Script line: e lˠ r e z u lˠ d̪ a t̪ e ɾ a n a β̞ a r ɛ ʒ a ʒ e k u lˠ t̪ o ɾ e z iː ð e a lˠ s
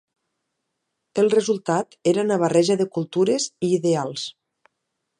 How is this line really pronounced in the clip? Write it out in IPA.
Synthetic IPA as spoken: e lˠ r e z u lˠ t̪ a t̪ e ɾ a n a β̞ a r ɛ ʒ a ð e k u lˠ t̪ u ɾ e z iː ð e a lˠ s